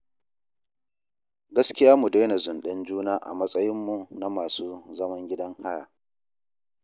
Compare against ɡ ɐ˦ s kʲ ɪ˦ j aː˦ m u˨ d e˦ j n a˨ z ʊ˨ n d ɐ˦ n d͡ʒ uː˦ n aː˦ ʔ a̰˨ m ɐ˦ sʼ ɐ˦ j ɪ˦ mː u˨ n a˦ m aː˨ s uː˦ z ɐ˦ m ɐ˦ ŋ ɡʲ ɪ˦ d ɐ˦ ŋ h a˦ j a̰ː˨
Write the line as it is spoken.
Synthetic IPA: ɡ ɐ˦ s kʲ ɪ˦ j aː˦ m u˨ d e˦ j n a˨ z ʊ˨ n ɗ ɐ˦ n d͡ʒ uː˦ n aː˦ ʔ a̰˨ m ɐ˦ sʼ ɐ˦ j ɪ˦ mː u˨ n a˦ m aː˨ s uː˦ z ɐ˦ m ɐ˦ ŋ ɡʲ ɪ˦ d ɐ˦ ŋ h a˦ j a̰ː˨

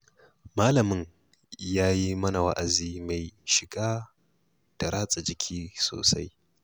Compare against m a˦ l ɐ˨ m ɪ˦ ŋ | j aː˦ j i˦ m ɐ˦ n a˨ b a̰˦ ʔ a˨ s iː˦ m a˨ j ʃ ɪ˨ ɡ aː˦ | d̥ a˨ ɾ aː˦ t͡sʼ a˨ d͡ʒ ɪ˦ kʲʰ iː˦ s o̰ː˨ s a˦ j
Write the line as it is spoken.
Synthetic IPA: m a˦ l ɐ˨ m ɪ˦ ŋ | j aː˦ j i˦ m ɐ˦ n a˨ w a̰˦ ʔ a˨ z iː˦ m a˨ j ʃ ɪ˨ ɡ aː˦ | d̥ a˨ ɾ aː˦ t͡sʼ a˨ d͡ʒ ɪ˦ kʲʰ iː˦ s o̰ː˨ s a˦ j

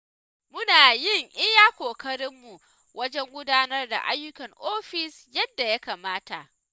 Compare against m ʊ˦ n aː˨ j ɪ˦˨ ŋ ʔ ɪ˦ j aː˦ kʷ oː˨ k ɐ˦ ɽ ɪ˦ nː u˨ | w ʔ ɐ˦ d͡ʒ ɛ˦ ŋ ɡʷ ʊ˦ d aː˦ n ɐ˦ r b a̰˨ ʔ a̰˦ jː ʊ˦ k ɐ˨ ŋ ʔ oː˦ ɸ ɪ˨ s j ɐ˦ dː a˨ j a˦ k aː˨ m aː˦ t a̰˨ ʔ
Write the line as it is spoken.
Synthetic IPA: m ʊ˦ n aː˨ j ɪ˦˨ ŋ ʔ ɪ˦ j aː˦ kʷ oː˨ k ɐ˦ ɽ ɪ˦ mː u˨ | w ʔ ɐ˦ d͡ʒ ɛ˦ ŋ ɡʷ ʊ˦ d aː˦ n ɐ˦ r d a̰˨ ʔ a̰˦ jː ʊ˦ k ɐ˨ ŋ ʔ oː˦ ɸ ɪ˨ s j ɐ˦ dː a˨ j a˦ k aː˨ m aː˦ t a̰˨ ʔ

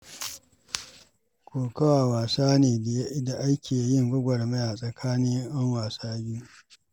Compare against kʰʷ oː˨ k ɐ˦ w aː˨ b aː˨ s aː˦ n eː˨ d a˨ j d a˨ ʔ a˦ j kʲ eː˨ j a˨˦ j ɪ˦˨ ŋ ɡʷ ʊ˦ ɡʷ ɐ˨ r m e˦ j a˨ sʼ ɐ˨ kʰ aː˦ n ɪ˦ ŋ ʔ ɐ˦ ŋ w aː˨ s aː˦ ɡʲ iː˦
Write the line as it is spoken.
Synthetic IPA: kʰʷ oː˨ k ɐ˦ w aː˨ w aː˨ s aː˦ n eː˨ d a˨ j d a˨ ʔ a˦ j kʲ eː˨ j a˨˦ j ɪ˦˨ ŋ ɡʷ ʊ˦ ɡʷ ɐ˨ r m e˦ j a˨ sʼ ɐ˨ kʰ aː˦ n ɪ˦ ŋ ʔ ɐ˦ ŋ w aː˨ s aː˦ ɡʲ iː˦

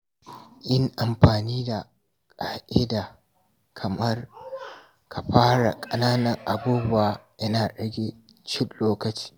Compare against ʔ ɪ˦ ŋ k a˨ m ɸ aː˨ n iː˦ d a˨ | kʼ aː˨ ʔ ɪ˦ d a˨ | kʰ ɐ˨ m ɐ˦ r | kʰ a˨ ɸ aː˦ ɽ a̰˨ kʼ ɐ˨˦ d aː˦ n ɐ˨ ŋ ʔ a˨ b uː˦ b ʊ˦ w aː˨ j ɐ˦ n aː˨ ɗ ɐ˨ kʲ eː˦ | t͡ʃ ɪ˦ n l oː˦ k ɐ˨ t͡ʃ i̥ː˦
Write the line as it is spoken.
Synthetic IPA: ʔ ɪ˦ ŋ ʔ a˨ m ɸ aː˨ n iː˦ d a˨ | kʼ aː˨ ʔ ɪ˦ d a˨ | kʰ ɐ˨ m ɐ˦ r | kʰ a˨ ɸ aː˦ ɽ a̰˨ kʼ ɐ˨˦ n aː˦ n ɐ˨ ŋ ʔ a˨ b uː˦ b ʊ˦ w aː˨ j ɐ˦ n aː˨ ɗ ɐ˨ ɡʲ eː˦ | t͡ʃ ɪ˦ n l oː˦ k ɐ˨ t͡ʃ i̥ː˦

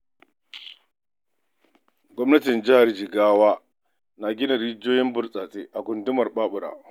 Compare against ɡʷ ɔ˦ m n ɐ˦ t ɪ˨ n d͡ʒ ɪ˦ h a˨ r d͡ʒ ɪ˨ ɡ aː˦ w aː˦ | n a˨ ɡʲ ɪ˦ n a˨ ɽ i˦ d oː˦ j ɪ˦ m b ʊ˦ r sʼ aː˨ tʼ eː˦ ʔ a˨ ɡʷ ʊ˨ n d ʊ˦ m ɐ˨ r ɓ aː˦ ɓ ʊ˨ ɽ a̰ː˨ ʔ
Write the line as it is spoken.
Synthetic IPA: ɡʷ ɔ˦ m n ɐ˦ t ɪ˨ n d͡ʒ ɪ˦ h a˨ r d͡ʒ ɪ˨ ɡ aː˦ w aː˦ | n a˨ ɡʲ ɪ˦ n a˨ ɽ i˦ d͡ʒ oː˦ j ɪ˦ m b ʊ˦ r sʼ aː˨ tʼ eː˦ ʔ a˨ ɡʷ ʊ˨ n d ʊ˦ m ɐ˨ r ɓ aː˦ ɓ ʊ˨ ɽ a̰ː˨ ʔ

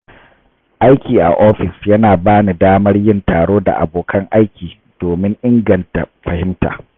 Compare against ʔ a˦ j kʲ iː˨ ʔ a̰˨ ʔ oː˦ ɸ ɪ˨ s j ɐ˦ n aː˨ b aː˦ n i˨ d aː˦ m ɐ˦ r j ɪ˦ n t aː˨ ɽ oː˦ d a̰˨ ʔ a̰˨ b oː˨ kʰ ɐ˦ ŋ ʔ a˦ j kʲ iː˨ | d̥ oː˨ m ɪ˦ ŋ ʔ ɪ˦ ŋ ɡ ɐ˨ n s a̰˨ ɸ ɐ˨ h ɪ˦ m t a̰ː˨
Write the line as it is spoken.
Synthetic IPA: ʔ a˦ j kʲ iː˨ ʔ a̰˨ ʔ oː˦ ɸ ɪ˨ s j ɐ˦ n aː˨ b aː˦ n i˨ d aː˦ m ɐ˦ r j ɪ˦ n t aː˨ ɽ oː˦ d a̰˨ ʔ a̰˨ b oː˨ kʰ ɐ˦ ŋ ʔ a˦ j kʲ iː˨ | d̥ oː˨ m ɪ˦ ŋ ʔ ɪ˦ ŋ ɡ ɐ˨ n t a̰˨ ɸ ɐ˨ h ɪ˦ m t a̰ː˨

